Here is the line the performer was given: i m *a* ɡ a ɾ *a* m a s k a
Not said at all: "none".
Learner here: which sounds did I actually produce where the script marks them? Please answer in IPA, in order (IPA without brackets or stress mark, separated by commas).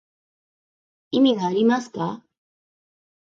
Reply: i, i